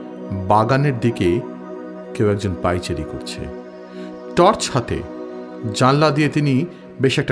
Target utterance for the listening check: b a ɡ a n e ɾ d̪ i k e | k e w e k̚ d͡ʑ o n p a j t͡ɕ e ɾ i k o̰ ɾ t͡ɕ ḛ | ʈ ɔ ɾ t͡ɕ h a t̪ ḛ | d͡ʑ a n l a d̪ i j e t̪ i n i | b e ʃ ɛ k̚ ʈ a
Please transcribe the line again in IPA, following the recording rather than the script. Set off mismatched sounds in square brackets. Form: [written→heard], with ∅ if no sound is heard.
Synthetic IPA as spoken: b a ɡ a n e ɾ d̪ i k e | k e w [e→ɛ] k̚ d͡ʑ o n p a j t͡ɕ e ɾ i k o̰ ɾ [t͡ɕ→t͡ɕʰ] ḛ | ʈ ɔ ɾ t͡ɕ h a t̪ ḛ | d͡ʑ a n l a d̪ i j e t̪ i n i | b e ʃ ɛ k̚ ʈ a